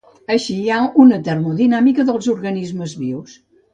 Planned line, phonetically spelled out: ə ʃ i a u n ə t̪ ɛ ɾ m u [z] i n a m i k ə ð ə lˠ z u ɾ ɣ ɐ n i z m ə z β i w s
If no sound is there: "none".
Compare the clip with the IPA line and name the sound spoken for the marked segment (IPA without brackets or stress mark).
ð